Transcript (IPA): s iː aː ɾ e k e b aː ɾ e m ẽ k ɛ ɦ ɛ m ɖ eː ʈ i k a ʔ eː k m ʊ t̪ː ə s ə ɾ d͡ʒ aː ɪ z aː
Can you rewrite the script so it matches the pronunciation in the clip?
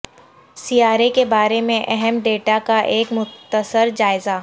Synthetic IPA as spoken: s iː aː ɾ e k e b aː ɾ e m ẽ ʔ ɛ ɦ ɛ m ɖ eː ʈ a k a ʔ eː k m ʊ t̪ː ə s ə ɾ d͡ʒ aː ɪ z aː